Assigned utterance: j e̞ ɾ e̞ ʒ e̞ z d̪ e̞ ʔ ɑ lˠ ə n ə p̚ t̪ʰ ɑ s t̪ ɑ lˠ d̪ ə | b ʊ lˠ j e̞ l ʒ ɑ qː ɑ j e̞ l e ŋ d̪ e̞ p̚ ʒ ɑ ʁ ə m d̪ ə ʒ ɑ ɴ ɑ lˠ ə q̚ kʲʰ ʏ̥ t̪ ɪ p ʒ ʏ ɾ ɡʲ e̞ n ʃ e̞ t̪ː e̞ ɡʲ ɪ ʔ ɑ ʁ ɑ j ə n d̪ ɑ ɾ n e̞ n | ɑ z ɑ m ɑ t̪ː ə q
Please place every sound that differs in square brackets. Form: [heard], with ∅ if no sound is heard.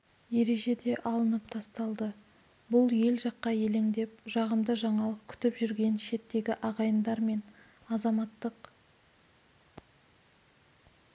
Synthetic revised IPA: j e̞ ɾ e̞ ʒ e̞ [∅] d̪ e̞ ʔ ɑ lˠ ə n ə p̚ t̪ʰ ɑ s t̪ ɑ lˠ d̪ ə | b ʊ lˠ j e̞ l ʒ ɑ qː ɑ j e̞ l e ŋ d̪ e̞ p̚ ʒ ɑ ʁ ə m d̪ ə ʒ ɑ ɴ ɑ lˠ ə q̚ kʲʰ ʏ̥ t̪ ɪ p ʒ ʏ ɾ ɡʲ e̞ n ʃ e̞ t̪ː e̞ ɡʲ ɪ ʔ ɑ ʁ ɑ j ə n d̪ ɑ ɾ [m] e̞ n | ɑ z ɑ m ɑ t̪ː ə q